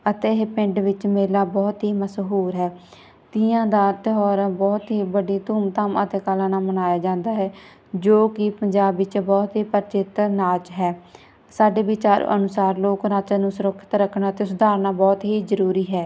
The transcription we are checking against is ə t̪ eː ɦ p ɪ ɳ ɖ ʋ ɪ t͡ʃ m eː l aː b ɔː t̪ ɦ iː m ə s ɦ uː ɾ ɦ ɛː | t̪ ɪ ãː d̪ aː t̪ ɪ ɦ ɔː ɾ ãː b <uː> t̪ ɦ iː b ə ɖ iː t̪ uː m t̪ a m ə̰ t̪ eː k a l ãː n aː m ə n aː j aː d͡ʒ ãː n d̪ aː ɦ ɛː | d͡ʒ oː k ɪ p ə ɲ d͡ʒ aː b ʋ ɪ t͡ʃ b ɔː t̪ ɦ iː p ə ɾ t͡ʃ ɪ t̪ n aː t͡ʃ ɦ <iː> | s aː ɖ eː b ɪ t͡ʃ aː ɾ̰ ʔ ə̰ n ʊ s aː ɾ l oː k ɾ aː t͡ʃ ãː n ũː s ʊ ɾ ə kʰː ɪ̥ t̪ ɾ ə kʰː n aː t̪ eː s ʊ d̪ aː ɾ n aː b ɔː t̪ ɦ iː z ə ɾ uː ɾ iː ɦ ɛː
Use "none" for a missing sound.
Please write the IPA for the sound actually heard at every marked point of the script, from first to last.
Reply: ɔː, ɛː

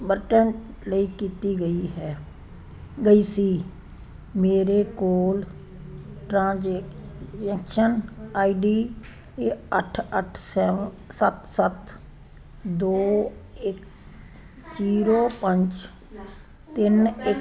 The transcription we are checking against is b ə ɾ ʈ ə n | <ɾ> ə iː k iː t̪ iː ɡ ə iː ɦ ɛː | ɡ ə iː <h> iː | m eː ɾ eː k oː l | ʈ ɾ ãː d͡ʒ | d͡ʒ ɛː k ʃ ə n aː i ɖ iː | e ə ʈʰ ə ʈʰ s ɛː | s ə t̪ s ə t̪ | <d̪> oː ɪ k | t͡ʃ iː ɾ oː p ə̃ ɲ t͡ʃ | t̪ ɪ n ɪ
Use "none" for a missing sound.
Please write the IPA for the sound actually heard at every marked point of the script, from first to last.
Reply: l, s, d̪

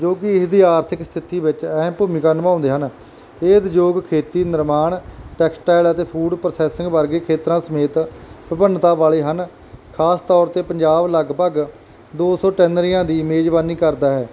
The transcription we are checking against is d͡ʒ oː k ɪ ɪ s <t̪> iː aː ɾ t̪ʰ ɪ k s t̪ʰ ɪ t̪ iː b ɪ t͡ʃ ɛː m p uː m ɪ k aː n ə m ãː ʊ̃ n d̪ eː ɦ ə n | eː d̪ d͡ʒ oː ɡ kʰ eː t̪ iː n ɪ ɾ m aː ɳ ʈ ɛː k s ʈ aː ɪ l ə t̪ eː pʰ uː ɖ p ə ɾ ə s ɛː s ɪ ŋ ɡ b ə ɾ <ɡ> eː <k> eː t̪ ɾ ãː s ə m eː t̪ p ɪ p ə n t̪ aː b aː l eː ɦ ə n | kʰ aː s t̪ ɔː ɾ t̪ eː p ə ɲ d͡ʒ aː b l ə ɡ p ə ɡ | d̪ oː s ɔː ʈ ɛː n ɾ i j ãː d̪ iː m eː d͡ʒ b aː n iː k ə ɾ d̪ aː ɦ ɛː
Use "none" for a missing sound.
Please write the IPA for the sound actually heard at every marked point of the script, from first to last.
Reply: d̪, ɡ, kʰ

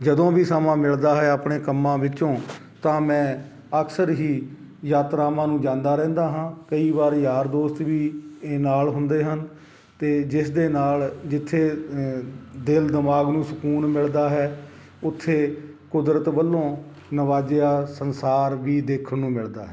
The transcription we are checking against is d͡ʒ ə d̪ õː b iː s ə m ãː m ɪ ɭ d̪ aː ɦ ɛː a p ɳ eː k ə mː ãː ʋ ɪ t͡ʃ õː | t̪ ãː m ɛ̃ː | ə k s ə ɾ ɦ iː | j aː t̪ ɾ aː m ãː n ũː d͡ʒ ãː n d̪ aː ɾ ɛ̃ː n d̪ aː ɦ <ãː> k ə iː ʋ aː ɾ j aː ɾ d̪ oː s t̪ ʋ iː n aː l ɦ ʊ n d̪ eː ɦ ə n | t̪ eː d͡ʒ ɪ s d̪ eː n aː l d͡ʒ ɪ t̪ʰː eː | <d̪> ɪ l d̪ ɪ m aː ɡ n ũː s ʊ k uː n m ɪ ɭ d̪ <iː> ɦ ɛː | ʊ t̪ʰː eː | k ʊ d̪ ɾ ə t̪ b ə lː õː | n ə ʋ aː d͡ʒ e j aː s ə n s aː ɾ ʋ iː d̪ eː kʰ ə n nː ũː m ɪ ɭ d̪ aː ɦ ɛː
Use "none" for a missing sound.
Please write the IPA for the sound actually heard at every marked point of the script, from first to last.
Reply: ãː, d̪, aː

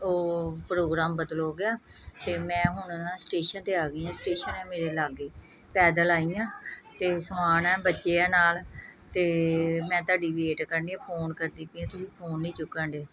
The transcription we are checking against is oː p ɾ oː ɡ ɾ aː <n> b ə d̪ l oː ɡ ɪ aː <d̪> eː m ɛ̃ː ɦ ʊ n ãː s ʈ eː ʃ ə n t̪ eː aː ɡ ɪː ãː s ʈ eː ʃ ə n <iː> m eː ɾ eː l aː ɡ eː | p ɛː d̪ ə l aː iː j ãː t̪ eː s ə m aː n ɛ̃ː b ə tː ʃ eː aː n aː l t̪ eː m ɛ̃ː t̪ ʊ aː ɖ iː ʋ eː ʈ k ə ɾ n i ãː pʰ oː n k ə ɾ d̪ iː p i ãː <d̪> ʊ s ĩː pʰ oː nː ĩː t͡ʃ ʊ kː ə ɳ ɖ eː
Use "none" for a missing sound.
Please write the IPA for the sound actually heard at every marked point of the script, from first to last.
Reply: m, t̪, ɛː, t̪

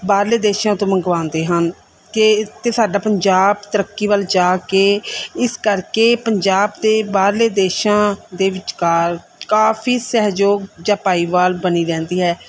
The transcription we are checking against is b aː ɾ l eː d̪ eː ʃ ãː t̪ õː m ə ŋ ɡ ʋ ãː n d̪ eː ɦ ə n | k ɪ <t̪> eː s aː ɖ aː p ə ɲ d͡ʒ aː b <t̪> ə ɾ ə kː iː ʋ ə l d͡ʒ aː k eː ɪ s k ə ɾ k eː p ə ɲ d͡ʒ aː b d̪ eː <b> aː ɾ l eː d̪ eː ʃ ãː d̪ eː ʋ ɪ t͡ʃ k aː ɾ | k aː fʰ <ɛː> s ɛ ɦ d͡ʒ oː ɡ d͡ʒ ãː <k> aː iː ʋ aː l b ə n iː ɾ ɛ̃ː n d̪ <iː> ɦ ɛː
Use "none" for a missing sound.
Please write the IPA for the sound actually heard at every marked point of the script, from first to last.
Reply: t̪, t̪, b, iː, p, iː

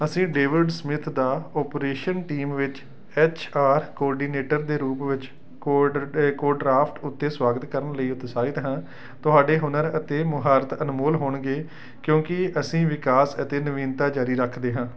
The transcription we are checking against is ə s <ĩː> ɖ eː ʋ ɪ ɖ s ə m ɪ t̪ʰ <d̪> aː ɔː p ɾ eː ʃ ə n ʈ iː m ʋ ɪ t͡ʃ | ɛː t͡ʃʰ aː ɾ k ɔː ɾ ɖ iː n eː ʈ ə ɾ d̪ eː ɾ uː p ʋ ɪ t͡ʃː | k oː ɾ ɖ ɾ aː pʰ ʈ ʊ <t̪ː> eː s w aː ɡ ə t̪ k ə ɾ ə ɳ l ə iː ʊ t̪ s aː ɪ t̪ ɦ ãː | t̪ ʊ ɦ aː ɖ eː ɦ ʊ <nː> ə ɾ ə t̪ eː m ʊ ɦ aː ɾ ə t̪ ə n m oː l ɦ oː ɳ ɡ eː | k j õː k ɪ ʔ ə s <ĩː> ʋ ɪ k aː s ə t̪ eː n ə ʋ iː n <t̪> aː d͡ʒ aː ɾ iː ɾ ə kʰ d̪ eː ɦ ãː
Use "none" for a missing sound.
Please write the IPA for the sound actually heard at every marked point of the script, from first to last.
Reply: ĩː, d̪, t̪ː, n, ĩː, t̪

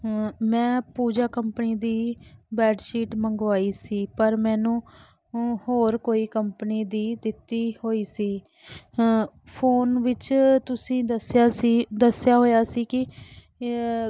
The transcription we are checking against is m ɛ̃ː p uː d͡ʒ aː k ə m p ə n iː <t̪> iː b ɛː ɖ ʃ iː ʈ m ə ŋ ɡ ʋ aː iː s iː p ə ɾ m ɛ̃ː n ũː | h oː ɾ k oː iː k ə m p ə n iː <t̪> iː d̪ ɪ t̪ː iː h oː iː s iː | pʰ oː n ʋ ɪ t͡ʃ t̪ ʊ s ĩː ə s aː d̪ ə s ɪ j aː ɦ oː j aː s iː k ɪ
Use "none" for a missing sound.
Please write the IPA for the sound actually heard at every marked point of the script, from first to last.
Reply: d̪, d̪

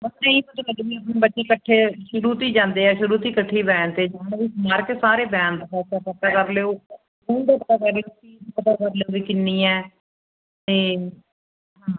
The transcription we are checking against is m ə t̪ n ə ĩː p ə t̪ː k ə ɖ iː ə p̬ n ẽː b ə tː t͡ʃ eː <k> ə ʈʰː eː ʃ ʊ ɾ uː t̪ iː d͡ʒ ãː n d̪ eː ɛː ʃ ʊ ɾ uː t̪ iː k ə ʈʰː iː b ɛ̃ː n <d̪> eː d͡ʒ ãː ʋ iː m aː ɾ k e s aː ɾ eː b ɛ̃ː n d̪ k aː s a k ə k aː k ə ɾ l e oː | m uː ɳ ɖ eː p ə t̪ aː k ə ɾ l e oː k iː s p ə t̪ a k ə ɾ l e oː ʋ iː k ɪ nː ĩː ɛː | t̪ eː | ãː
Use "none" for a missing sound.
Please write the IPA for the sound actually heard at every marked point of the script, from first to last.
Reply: k, t̪

